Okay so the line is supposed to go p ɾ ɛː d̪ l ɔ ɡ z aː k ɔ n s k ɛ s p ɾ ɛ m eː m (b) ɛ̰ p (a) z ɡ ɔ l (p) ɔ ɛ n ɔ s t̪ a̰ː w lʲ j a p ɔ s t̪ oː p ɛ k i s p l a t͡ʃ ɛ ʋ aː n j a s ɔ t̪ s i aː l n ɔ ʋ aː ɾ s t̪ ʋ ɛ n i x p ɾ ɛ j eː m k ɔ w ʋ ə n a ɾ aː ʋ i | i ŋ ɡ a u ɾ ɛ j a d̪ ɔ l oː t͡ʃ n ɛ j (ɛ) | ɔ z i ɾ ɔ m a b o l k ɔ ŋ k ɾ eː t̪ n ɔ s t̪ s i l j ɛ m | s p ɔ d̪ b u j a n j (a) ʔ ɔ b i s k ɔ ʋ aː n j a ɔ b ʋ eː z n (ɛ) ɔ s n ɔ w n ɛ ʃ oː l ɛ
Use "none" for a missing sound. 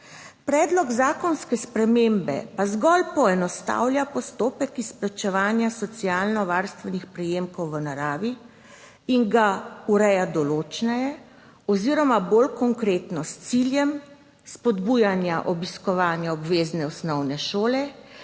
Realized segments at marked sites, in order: b, a, p, ɛ, a, ɛ

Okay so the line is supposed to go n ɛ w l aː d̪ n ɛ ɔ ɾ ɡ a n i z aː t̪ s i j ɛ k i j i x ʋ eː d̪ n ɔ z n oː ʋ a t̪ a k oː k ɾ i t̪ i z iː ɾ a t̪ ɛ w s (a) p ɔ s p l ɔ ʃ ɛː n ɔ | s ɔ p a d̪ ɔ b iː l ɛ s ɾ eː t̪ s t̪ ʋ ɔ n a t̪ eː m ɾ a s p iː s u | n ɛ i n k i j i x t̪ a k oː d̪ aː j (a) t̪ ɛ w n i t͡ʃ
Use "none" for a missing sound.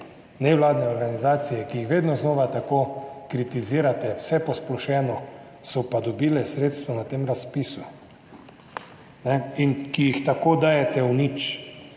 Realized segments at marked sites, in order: ɛ, ɛ

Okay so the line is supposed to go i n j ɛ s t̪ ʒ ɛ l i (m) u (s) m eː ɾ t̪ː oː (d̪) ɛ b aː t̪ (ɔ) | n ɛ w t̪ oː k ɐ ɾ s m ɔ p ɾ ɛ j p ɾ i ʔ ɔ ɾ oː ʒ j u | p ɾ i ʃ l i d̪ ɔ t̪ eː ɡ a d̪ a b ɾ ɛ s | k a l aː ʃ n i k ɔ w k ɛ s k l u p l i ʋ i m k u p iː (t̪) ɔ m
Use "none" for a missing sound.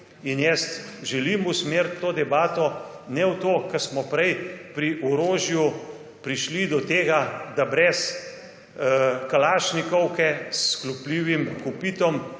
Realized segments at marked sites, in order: m, s, d̪, ɔ, t̪

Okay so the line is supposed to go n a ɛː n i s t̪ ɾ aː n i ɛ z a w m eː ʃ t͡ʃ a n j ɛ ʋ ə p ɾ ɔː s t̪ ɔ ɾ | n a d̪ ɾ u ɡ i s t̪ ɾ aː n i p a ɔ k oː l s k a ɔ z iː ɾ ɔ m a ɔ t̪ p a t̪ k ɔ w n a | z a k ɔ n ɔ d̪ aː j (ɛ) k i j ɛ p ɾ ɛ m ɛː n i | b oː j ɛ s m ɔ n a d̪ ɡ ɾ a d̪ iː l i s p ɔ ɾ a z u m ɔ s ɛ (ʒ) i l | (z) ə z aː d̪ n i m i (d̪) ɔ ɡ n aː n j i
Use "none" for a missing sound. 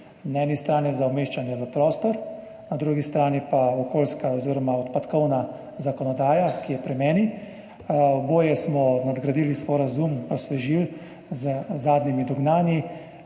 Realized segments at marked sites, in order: a, ʒ, z, d̪

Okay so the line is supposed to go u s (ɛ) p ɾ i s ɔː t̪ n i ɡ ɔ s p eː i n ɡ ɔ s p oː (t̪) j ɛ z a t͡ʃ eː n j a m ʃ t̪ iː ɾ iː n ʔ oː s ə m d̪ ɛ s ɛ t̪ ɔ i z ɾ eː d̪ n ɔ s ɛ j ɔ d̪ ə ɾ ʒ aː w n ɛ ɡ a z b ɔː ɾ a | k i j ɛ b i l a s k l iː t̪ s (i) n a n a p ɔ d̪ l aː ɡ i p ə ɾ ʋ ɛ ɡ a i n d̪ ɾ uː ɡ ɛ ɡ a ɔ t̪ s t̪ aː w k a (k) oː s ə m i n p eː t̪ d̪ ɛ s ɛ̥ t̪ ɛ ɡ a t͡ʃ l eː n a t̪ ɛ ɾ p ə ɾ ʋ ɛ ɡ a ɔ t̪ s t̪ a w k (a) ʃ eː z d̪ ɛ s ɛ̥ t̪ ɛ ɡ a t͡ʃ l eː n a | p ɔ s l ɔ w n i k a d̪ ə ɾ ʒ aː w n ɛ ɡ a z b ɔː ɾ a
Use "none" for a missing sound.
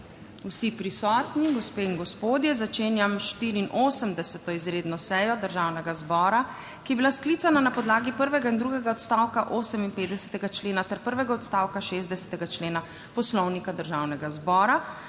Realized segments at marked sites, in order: i, d̪, a, ʔ, a

